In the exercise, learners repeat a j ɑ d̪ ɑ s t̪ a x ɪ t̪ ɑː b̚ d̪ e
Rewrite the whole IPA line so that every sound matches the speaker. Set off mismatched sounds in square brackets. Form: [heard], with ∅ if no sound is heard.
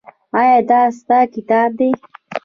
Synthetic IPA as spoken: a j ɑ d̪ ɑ s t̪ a [k] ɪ t̪ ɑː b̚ d̪ e